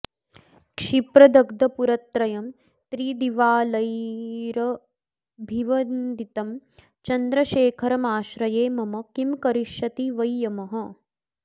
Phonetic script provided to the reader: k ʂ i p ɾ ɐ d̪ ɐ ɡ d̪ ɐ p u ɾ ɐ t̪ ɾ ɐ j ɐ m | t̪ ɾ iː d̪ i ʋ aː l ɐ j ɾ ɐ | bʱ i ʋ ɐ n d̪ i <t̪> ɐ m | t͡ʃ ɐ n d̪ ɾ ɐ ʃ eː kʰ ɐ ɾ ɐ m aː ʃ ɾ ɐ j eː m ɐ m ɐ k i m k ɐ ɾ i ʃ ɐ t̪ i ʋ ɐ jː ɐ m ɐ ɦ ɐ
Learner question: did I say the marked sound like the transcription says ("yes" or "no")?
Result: yes